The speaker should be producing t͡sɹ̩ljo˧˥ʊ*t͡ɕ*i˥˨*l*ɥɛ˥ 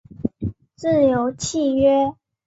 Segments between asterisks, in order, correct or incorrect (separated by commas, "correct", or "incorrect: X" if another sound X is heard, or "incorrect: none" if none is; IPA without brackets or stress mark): incorrect: t͡ɕʰ, incorrect: none